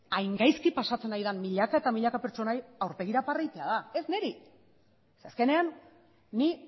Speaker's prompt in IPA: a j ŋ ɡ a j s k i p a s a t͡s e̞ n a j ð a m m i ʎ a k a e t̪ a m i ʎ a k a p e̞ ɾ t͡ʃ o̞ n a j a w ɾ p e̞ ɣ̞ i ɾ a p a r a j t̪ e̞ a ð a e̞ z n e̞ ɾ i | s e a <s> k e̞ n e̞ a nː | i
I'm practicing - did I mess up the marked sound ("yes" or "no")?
no